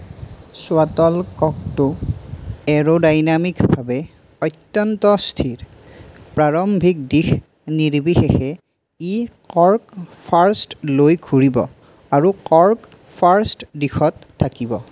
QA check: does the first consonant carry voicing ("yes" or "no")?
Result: no